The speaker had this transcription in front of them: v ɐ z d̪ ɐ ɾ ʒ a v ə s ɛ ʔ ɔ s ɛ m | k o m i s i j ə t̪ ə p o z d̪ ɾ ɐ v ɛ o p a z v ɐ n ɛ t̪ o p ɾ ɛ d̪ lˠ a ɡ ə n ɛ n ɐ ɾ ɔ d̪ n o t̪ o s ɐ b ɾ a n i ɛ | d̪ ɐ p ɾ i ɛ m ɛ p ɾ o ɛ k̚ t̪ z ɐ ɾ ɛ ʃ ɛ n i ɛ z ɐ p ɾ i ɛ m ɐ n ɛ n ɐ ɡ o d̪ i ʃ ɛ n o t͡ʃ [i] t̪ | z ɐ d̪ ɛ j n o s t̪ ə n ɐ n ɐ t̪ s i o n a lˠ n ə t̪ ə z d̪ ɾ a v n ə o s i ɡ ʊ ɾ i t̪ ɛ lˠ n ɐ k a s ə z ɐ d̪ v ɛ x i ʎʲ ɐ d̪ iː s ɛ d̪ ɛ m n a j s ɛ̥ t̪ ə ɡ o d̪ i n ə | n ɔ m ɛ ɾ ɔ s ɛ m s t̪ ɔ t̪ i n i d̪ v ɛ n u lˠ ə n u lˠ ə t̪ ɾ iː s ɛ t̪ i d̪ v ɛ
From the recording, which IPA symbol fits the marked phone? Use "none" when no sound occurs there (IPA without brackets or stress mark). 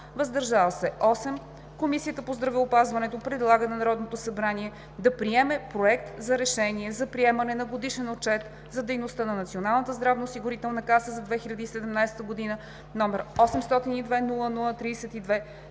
ɛ